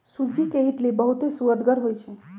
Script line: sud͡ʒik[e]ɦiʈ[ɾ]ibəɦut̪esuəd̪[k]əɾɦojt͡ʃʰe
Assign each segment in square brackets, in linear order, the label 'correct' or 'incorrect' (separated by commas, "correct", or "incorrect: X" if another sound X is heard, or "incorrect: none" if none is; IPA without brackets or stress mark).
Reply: correct, incorrect: l, incorrect: ɡ